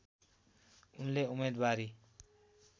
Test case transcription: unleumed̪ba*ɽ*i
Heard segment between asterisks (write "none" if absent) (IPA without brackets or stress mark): ɾ